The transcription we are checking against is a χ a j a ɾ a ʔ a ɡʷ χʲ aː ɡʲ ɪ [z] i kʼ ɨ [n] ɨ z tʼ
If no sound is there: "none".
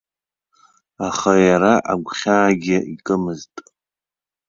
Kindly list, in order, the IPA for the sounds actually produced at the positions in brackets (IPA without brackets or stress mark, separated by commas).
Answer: none, m